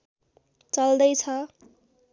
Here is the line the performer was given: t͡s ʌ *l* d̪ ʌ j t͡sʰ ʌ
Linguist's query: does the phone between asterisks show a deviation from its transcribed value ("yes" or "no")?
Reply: no